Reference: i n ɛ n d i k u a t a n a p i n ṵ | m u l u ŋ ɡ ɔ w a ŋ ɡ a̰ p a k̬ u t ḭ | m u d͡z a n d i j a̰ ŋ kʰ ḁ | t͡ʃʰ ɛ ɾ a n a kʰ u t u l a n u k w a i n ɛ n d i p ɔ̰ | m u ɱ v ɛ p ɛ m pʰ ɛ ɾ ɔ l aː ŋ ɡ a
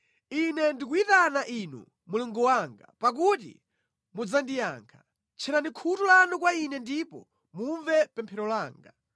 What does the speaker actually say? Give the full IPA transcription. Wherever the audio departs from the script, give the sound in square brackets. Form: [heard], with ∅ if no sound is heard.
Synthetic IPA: i n ɛ n d i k u [i] t a n a [ʔ] i n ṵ | m u l u ŋ ɡ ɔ w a ŋ ɡ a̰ p a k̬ u t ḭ | m u d͡z a n d i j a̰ ŋ kʰ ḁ | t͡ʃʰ ɛ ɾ a n [i] kʰ u t u l a n u k w a i n ɛ n d i p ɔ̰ | m u ɱ v ɛ p ɛ m pʰ ɛ ɾ ɔ l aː ŋ ɡ a